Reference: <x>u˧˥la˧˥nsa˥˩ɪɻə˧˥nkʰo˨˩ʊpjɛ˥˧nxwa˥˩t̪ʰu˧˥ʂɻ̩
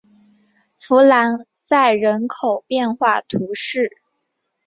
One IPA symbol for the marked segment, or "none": f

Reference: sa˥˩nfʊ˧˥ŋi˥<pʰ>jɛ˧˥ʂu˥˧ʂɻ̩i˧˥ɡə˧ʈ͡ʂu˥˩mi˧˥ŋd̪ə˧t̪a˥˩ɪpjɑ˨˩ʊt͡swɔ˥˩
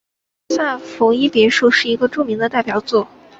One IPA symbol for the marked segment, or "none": p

